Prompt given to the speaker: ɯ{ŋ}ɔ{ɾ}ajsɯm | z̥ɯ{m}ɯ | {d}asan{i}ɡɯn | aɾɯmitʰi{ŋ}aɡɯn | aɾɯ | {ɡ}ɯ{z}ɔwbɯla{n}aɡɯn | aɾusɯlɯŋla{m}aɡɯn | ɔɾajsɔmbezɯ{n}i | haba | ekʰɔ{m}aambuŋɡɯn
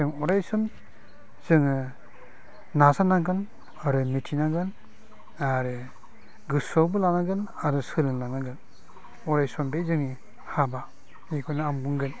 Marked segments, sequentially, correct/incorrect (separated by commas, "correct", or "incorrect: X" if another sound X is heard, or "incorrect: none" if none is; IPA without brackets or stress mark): correct, correct, incorrect: ŋ, incorrect: n, incorrect: a, incorrect: n, correct, incorrect: s, correct, incorrect: n, incorrect: ŋ, incorrect: n